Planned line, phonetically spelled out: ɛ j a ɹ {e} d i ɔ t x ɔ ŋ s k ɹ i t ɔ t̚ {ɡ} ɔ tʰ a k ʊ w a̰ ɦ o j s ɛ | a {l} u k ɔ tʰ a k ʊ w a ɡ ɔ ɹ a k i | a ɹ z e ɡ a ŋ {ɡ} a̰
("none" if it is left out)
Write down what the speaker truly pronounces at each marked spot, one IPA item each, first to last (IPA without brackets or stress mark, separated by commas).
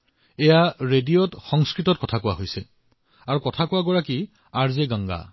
e, k, ɹ, ɡ